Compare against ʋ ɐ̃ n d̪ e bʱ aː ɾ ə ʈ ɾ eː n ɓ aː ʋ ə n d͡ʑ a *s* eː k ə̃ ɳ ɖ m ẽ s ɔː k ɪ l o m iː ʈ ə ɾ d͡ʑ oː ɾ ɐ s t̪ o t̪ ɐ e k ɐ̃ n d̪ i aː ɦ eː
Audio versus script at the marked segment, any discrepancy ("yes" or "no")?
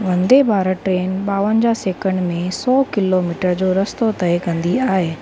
no